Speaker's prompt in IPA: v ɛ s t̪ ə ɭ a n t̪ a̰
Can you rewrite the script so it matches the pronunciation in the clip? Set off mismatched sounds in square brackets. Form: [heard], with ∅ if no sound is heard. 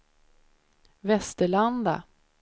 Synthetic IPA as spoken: v ɛ s t̪ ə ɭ a n [d̪] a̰

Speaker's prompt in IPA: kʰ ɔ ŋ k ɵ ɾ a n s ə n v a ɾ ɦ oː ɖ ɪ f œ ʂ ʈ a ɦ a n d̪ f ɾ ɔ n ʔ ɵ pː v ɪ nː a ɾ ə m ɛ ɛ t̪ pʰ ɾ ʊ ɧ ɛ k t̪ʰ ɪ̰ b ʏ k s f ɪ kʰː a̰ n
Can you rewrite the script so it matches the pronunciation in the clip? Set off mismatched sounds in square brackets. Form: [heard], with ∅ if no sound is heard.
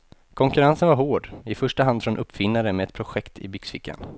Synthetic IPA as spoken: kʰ ɔ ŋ k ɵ ɾ a n s ə n v a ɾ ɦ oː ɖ ɪ f œ ʂ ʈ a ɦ a n d̪ f ɾ ɔ n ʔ ɵ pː [f] ɪ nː a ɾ ə m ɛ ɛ t̪ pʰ ɾ ʊ ɧ ɛ k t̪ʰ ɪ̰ b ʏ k s f ɪ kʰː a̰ n

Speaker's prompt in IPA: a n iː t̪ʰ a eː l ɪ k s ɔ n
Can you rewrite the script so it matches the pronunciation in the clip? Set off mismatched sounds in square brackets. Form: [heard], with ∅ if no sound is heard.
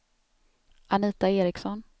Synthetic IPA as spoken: a n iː [t̪] a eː [ɾ] ɪ k s ɔ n

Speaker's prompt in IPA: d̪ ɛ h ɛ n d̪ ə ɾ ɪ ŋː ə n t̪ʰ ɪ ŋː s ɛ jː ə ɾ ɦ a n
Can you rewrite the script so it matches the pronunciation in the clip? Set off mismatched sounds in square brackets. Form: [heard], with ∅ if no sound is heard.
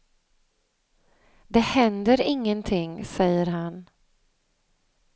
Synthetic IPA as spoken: d̪ ɛ h ɛ n d̪ ə ɾ ɪ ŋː ə n t̪ʰ ɪ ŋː s ɛ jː ə ɾ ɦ a n

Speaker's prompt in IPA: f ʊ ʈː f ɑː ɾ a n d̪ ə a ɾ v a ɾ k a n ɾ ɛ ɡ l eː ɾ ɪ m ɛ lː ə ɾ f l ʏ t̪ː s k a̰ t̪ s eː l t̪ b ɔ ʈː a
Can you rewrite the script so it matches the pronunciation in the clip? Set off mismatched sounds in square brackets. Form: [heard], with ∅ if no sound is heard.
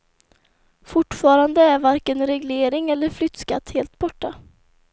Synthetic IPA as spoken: f ʊ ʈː f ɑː ɾ a n d̪ ə [æ] ɾ v a ɾ k [ə] n ɾ ɛ ɡ l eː ɾ ɪ [ŋ] ɛ lː ə ɾ f l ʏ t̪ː s k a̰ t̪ [h] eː l t̪ b ɔ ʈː a

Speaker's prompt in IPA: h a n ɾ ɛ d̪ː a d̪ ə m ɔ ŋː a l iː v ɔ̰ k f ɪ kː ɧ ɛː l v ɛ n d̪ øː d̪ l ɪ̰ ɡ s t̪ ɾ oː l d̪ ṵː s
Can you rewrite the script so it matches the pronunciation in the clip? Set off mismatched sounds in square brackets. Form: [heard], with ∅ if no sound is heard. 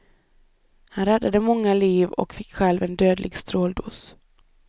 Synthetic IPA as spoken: h a n ɾ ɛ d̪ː a d̪ ə m ɔ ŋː a l iː v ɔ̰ k f ɪ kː ɧ [ɛ] l v ɛ n d̪ øː d̪ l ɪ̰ ɡ s t̪ ɾ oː l d̪ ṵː s

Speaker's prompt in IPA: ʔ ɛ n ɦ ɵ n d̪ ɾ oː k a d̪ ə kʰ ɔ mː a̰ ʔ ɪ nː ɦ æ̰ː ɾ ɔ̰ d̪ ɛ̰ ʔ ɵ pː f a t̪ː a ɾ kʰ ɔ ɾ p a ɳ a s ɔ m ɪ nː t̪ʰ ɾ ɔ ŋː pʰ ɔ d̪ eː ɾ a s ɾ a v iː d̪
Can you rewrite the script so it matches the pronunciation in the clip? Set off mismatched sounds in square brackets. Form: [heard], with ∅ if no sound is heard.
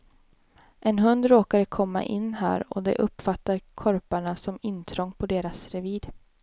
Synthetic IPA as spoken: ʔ ɛ n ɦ ɵ n d̪ ɾ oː k a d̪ ə kʰ ɔ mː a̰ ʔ ɪ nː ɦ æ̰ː ɾ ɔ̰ d̪ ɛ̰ ʔ ɵ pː f a t̪ː a ɾ kʰ ɔ ɾ p a ɳ a s ɔ m ɪ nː t̪ʰ ɾ ɔ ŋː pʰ ɔ d̪ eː ɾ a s ɾ [ɛ] v iː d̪

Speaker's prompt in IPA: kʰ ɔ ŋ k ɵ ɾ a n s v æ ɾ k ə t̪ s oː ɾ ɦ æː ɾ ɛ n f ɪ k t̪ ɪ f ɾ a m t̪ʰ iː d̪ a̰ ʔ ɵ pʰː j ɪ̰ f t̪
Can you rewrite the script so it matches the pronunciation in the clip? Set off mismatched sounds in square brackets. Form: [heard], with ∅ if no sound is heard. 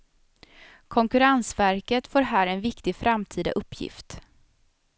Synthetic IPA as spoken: kʰ ɔ ŋ k ɵ ɾ a n s v æ ɾ k ə t̪ [f] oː ɾ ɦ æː ɾ ɛ n [v] ɪ k t̪ ɪ f ɾ a m t̪ʰ iː d̪ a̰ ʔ ɵ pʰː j ɪ̰ f t̪

